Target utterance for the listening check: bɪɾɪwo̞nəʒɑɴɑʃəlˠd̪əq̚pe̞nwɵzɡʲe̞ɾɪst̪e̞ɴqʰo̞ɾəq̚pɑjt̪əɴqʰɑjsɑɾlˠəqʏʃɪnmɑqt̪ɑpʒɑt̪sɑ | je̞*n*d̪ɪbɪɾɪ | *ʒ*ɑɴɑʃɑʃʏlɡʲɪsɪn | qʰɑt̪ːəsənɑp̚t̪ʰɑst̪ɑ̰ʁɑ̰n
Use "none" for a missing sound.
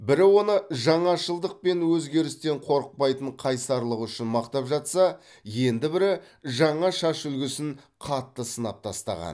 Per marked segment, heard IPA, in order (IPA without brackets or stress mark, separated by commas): n, ʒ